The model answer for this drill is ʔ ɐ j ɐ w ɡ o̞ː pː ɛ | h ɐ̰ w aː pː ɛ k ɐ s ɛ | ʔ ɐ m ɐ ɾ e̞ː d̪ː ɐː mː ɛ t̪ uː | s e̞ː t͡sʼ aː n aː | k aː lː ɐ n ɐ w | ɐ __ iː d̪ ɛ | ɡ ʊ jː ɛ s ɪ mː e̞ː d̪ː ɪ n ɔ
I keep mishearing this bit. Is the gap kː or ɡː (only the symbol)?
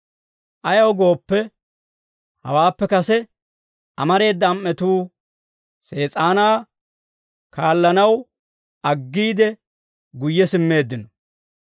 ɡː